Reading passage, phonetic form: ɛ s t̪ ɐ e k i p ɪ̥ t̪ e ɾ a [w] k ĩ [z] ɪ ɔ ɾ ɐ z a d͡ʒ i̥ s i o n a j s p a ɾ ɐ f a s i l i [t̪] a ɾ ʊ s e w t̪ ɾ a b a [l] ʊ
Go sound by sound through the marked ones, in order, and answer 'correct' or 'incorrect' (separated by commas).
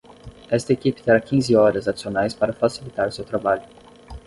incorrect, correct, correct, incorrect